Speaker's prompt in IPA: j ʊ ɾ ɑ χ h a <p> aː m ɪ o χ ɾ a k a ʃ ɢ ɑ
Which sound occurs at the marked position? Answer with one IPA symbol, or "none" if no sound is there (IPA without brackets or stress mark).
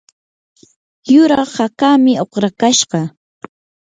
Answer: k